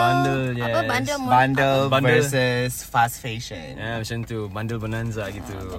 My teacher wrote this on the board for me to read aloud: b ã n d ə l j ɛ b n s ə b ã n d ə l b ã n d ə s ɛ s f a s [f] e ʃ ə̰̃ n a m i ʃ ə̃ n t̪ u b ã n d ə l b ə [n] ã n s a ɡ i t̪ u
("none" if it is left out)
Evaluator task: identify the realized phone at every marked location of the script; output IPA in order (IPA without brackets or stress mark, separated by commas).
f, n